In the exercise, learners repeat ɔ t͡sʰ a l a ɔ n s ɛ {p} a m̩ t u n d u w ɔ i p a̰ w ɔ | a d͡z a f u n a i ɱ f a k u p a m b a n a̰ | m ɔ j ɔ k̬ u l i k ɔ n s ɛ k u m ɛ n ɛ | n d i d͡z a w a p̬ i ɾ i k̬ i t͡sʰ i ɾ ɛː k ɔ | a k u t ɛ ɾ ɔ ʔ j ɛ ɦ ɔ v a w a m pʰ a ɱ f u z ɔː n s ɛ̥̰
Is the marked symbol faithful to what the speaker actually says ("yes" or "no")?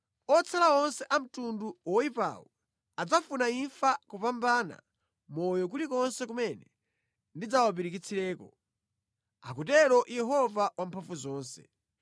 no